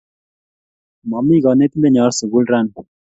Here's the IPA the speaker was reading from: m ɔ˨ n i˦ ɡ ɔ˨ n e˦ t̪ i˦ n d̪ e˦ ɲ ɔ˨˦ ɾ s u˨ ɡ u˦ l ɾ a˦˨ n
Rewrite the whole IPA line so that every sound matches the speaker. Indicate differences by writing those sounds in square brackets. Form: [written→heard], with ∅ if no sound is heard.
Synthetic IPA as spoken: m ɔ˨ [n→m] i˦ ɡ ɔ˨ n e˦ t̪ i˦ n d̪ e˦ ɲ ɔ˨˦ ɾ s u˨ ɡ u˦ l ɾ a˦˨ n

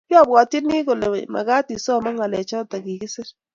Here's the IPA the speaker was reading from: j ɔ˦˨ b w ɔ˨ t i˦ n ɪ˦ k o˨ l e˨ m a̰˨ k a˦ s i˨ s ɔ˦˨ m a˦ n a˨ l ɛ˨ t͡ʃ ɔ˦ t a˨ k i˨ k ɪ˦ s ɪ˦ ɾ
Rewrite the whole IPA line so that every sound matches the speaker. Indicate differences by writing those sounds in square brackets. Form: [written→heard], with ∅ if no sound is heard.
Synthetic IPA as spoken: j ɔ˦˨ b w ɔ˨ t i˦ n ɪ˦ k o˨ l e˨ m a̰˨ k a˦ [s→t] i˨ s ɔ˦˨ m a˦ [n→ŋ] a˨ l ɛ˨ t͡ʃ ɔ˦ t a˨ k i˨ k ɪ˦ s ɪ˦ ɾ

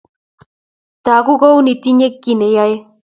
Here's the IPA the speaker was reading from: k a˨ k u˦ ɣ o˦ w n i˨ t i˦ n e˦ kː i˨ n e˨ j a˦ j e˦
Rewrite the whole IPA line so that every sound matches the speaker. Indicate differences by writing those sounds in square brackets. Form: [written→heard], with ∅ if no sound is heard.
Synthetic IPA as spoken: [k→t] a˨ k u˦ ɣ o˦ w n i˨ t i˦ [n→ɲ] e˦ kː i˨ n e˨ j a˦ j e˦

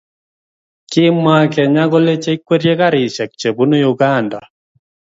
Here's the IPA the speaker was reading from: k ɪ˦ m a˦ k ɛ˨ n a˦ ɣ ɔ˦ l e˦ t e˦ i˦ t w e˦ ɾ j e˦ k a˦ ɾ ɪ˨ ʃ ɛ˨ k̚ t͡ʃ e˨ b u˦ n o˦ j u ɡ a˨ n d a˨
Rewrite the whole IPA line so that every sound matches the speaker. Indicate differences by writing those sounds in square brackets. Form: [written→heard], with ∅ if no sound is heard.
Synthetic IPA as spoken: k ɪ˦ m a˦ k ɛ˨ [n→ɲ] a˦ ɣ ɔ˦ l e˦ [t→t͡ʃ] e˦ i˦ [t→k] w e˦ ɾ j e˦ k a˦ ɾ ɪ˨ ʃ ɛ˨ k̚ t͡ʃ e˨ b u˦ n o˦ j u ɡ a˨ n d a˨

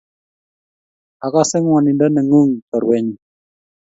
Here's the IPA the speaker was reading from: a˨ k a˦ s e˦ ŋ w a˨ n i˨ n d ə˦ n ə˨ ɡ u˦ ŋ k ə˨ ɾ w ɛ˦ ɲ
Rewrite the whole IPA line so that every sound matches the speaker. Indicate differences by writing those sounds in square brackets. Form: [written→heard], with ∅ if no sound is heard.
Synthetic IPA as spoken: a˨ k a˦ s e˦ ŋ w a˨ n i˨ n d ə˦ n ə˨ [ɡ→ŋ] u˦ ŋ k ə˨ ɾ w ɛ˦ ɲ

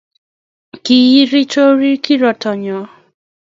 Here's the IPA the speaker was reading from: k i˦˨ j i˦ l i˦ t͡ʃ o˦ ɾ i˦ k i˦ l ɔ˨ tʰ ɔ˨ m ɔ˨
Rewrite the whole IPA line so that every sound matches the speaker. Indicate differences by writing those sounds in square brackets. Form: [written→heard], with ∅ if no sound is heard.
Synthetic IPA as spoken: k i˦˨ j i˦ [l→ɾ] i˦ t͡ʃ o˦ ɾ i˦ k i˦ [l→ɾ] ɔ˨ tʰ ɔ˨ [m→ɲ] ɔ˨

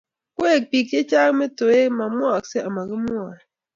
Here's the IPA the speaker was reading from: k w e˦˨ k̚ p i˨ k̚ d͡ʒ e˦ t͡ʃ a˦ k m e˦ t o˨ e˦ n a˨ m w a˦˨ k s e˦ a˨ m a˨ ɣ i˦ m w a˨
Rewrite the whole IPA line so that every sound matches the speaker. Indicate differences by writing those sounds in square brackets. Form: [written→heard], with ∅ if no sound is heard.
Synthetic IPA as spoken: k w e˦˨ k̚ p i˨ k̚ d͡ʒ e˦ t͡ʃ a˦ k m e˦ t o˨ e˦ [n→m] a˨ m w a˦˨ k s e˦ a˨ m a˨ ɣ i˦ m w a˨

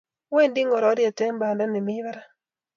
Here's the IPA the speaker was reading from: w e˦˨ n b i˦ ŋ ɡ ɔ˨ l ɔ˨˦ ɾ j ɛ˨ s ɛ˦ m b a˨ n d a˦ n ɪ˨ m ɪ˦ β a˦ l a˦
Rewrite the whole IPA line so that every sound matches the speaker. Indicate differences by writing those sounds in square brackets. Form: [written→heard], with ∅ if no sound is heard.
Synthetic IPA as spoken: w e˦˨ n [b→d] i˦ ŋ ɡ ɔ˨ [l→ɾ] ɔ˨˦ ɾ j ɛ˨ [s→t] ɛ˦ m b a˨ n d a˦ n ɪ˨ m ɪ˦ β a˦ [l→ɾ] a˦

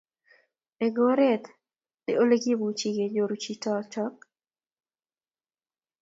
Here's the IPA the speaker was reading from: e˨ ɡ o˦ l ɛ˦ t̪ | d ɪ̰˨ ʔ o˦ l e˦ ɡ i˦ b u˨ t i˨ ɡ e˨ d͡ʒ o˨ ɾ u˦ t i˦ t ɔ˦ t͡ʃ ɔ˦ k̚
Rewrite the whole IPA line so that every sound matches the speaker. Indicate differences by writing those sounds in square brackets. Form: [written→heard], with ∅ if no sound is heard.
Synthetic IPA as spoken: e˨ ɡ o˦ [l→ɾ] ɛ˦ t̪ | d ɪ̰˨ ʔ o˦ l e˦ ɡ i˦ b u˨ [t→t͡ʃ] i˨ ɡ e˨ d͡ʒ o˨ ɾ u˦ [t→t͡ʃ] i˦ t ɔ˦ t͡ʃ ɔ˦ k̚

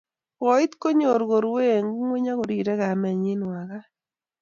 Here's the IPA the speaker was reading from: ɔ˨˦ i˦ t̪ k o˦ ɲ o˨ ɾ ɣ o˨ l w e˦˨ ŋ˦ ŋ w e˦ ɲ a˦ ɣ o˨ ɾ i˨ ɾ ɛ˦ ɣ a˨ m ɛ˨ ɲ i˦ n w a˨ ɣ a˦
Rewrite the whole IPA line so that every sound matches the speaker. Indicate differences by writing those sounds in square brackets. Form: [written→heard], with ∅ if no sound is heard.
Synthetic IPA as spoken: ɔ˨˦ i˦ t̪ k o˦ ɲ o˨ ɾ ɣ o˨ [l→ɾ] w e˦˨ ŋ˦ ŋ w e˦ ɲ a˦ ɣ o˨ ɾ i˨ ɾ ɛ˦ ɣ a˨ m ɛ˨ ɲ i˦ n w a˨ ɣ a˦

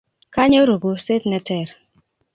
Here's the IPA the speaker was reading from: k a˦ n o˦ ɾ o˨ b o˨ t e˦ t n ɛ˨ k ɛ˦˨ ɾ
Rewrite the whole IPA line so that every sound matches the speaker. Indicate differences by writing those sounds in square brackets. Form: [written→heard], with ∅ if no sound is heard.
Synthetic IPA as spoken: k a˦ [n→ɲ] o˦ ɾ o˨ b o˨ [t→s] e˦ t n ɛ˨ [k→t] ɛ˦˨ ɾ

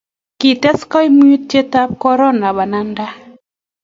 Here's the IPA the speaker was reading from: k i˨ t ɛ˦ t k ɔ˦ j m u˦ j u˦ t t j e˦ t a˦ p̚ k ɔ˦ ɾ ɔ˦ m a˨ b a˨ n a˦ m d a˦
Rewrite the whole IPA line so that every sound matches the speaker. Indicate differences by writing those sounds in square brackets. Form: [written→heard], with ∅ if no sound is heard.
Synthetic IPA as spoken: k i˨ t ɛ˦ [t→s] k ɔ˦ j m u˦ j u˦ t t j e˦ t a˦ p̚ k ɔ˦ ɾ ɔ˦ [m→n] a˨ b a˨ n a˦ [m→n] d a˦

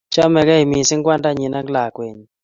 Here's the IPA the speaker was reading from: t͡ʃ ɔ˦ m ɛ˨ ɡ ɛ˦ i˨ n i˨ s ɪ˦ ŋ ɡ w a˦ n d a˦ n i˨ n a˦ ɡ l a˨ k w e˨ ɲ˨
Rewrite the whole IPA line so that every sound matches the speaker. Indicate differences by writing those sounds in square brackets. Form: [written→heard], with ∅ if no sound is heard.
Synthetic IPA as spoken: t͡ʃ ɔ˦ m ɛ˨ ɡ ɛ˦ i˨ [n→m] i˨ s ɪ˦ ŋ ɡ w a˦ n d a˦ [n→ɲ] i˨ n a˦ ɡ l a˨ k w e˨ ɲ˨

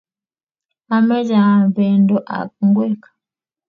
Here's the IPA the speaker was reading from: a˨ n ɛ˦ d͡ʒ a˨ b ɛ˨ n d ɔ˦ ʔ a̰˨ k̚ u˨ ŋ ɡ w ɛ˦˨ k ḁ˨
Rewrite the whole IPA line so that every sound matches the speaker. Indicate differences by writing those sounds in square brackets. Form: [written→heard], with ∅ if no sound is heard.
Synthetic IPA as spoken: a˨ [n→m] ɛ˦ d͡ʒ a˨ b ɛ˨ n d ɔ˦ ʔ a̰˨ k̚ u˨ ŋ ɡ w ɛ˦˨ k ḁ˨

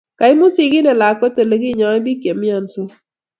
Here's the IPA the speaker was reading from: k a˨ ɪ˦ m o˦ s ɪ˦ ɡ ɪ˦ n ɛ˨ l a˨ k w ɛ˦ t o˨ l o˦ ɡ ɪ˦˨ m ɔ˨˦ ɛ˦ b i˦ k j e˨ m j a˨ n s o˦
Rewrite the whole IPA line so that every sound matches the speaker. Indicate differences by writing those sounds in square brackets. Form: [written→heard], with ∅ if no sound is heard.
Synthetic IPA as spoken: k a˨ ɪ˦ m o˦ s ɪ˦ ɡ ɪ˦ n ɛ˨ l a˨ k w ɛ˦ t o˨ l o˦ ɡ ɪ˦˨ [m→ɲ] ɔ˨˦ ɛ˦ b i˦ k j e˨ m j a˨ n s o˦

